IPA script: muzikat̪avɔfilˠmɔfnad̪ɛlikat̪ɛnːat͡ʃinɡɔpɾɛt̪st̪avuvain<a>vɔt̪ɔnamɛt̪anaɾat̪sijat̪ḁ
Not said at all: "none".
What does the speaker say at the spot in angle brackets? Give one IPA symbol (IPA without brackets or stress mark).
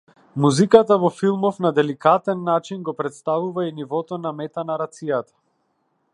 i